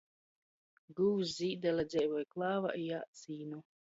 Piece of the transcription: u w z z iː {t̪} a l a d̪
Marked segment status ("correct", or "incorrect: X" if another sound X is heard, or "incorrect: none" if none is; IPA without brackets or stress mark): incorrect: d̪